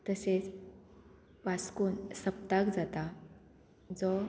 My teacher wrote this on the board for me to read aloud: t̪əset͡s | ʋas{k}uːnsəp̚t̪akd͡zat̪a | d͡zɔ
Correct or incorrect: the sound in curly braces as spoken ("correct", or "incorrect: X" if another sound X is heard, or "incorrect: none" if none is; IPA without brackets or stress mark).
correct